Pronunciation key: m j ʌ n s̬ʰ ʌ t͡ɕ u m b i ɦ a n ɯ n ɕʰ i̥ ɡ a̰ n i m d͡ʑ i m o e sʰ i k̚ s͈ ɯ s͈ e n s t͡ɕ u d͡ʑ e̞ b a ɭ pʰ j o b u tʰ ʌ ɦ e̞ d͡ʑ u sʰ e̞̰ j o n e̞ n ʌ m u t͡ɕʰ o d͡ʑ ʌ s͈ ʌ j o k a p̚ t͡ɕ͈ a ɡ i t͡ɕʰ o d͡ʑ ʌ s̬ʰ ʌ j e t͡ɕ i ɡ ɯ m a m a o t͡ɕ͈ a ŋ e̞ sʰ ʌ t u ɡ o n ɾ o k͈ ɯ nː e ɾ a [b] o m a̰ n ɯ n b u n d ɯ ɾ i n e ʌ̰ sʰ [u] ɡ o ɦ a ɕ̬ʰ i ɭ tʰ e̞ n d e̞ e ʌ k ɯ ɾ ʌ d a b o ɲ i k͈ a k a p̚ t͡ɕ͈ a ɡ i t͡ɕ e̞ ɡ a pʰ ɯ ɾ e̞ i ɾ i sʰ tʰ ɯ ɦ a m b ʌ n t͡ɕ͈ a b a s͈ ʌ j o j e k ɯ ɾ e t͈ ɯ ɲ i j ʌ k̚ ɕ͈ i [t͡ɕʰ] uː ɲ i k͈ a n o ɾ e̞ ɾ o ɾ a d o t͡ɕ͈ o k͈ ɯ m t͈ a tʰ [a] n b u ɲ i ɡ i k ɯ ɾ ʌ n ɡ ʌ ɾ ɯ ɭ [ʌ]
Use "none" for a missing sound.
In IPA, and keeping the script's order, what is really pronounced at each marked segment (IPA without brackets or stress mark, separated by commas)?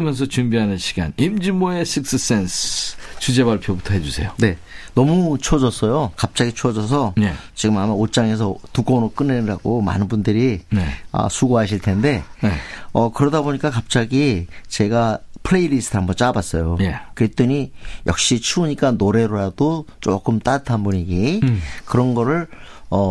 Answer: ɡ, u, t͡ɕʰ, a, ʌ